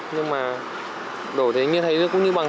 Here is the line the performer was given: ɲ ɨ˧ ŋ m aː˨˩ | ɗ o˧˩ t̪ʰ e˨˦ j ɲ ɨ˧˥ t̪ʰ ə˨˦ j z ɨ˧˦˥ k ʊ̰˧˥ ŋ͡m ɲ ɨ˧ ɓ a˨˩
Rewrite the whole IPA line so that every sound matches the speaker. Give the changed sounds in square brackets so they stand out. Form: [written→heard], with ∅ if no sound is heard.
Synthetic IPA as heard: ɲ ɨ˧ ŋ m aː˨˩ | ɗ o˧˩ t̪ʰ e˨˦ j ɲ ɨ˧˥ t̪ʰ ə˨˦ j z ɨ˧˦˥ k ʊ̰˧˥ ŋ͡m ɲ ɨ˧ ɓ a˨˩

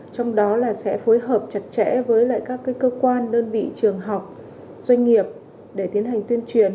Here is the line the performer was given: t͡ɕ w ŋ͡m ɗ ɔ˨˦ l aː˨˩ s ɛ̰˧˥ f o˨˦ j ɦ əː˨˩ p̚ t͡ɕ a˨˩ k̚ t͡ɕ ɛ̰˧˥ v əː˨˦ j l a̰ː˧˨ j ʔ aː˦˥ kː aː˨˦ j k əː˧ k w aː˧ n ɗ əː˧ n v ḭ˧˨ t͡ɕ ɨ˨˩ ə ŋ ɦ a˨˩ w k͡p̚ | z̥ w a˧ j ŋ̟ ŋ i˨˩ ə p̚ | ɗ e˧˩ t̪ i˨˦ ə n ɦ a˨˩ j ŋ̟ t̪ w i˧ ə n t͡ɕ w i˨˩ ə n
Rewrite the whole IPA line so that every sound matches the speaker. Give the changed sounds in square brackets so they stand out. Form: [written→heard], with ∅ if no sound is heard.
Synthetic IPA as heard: t͡ɕ w ŋ͡m ɗ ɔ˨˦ l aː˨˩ s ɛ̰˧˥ f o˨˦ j ɦ əː˨˩ p̚ t͡ɕ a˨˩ [k̚→t̚] t͡ɕ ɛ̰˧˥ v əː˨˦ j l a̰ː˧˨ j [ʔ→k] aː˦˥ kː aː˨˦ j k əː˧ k w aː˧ n ɗ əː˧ n v ḭ˧˨ t͡ɕ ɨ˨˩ ə ŋ ɦ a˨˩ w k͡p̚ | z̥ w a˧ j ŋ̟ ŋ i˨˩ ə p̚ | ɗ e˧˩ t̪ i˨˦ ə n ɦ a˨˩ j ŋ̟ t̪ w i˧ ə n t͡ɕ w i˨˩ ə n

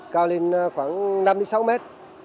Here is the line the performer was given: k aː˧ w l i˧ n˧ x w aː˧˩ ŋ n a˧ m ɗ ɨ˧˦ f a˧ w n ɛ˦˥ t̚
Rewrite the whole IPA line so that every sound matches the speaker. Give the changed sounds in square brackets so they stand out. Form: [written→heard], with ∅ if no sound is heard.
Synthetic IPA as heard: k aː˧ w l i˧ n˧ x w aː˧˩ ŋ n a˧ m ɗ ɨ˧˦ [f→s] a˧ w [n→m] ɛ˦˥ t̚

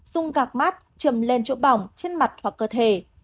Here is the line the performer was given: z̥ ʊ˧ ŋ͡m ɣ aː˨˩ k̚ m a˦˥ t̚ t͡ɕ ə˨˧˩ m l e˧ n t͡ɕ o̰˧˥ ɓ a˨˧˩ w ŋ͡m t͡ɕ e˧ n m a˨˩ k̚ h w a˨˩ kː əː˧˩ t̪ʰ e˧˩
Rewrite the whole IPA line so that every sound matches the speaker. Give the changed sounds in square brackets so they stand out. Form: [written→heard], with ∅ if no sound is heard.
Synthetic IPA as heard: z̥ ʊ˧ ŋ͡m ɣ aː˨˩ k̚ m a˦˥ t̚ t͡ɕ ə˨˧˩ m l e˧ n t͡ɕ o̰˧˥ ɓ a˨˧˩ w ŋ͡m t͡ɕ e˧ n m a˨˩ [k̚→t̚] h w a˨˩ kː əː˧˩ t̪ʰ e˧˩

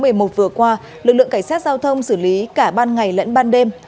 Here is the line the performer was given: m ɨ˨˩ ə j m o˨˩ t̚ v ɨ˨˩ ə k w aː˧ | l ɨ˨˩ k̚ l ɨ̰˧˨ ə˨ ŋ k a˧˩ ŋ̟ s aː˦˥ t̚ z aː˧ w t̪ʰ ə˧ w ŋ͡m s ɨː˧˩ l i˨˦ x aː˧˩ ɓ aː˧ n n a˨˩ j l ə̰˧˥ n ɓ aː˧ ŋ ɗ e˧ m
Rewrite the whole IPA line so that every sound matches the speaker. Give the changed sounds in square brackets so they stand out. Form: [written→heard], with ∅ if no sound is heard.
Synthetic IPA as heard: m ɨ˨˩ ə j m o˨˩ t̚ v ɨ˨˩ ə k w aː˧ | l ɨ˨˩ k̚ l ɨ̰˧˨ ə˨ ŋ k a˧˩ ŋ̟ s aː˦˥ t̚ z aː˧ w t̪ʰ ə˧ w ŋ͡m s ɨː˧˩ l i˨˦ [x→k] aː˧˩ ɓ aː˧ n [n→ŋ] a˨˩ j l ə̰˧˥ n ɓ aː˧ [ŋ→n] ɗ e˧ m

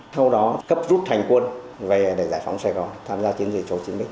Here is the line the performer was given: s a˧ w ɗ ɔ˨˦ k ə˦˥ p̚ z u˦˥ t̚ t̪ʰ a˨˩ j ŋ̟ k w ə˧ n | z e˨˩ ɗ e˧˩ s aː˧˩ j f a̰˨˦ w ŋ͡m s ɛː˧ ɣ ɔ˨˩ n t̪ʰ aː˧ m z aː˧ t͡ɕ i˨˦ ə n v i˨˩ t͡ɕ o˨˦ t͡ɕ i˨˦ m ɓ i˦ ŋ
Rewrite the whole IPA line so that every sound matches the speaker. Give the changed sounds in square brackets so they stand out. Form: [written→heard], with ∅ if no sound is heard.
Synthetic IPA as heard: s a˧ w ɗ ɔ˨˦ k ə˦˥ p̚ z u˦˥ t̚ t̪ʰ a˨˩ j ŋ̟ k w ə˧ n | [z→v] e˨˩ ɗ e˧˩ [s→z] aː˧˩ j f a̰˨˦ w ŋ͡m s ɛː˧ ɣ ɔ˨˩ n t̪ʰ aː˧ m z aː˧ t͡ɕ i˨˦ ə n [v→z] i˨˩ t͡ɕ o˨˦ t͡ɕ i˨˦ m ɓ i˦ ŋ

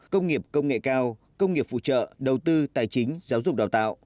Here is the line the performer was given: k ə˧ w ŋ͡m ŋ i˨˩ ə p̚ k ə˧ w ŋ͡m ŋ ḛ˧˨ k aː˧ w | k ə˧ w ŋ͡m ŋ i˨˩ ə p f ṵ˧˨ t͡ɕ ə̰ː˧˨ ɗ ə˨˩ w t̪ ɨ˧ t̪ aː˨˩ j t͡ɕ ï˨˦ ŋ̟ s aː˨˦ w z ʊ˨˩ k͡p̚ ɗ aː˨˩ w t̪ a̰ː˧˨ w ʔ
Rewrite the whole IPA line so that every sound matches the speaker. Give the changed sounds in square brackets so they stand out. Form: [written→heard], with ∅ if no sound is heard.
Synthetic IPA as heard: k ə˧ w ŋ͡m ŋ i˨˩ ə p̚ k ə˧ w ŋ͡m ŋ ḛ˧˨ k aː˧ w | k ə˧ w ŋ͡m ŋ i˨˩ ə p f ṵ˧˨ t͡ɕ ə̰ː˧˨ ɗ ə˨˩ w t̪ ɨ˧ t̪ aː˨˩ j t͡ɕ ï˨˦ ŋ̟ [s→z] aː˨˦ w z ʊ˨˩ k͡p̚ ɗ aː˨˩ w t̪ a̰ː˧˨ w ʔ

